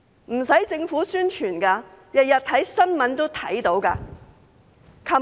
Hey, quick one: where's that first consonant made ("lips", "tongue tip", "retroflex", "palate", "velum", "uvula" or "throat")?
lips